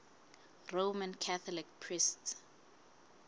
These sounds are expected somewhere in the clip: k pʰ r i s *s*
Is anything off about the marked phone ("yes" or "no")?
yes